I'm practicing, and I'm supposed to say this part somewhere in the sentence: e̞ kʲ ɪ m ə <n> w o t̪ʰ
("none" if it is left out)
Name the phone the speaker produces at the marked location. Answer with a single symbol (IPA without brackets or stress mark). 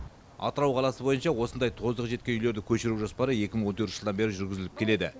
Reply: ɴ